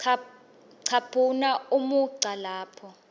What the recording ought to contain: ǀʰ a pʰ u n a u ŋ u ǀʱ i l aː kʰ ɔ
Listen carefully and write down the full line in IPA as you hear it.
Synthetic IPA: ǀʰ a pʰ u n a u m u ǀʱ a l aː pʰ ɔ